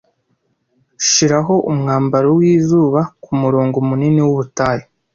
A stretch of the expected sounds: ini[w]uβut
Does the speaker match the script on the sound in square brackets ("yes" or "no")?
yes